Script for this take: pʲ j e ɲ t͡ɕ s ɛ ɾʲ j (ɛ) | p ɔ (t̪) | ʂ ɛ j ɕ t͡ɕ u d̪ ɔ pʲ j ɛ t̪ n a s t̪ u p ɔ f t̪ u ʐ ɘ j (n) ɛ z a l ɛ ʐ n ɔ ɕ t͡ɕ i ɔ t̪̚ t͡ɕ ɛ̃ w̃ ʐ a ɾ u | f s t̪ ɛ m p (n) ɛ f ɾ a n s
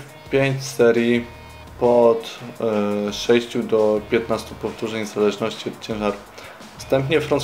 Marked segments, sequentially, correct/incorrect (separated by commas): incorrect, correct, incorrect, incorrect